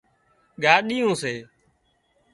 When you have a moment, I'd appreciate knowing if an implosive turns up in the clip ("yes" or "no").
yes